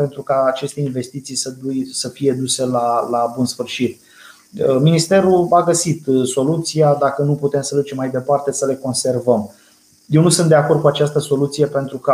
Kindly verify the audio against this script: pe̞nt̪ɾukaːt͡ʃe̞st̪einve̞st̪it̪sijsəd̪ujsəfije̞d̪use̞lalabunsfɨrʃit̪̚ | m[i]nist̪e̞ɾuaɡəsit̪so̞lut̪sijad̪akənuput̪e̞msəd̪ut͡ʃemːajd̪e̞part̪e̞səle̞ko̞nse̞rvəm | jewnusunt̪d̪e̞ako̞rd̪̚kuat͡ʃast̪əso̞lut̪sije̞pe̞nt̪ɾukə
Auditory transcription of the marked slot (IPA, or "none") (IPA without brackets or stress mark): i